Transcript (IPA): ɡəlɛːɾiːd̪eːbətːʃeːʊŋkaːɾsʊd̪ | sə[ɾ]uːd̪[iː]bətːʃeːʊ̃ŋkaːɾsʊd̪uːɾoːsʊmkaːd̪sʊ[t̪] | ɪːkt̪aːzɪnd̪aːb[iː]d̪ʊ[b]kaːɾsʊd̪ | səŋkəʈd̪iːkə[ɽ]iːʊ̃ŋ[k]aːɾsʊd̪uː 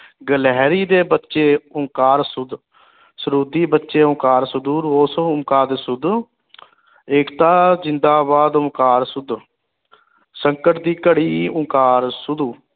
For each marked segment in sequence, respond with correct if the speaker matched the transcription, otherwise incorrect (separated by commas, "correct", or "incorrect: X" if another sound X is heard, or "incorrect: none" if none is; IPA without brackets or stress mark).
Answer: correct, correct, incorrect: d̪, incorrect: aː, incorrect: m, correct, correct